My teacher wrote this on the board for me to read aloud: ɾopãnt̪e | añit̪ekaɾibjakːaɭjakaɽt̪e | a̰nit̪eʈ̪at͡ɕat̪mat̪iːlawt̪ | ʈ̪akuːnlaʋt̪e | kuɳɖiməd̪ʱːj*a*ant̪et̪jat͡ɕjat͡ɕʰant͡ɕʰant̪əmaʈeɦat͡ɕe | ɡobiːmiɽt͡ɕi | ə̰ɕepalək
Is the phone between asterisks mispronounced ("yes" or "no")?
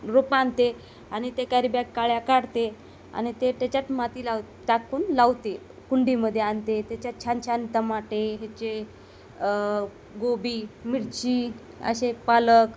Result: yes